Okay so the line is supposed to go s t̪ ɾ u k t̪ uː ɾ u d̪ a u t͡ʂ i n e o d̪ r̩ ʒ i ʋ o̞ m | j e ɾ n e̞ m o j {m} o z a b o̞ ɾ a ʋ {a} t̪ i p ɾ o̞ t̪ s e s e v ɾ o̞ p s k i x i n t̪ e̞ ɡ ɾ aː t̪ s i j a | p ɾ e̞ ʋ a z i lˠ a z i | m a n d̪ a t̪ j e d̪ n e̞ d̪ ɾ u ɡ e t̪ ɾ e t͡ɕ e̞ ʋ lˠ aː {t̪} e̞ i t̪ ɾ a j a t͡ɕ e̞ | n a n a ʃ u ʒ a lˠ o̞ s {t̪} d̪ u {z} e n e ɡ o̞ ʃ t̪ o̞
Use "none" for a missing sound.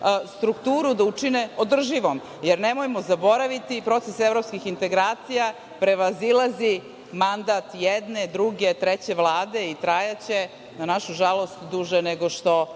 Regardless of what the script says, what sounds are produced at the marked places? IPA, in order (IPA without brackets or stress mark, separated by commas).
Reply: m, i, d̪, t̪, ʒ